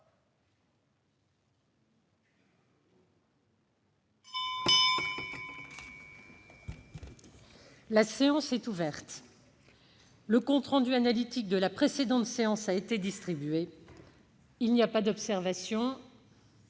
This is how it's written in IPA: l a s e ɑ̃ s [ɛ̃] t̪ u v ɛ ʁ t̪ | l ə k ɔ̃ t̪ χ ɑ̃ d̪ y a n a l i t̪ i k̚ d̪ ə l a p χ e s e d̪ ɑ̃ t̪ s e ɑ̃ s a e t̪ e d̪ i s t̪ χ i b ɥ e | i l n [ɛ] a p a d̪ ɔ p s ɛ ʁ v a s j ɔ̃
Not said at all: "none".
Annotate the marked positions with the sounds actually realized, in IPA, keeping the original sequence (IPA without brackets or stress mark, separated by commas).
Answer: ɛ, i